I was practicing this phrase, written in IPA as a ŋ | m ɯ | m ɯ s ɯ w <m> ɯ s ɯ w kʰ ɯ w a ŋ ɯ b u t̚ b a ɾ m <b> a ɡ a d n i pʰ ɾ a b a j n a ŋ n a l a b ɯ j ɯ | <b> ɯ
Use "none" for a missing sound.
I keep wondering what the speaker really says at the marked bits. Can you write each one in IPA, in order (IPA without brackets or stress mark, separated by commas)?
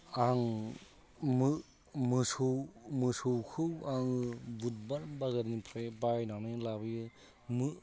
m, b, m